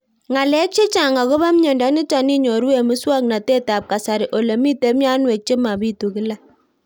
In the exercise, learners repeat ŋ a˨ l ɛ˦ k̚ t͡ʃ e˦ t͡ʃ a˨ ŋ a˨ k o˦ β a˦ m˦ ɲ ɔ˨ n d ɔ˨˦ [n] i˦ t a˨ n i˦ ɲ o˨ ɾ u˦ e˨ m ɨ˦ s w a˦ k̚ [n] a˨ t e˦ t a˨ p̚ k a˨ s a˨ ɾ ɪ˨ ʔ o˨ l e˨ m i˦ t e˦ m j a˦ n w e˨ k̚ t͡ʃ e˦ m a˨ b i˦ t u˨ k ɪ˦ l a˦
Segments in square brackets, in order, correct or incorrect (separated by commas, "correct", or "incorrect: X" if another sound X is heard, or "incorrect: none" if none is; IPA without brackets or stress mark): correct, correct